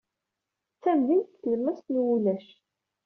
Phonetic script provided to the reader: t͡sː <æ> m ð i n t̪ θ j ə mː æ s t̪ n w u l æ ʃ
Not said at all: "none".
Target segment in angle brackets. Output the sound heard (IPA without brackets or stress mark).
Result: æ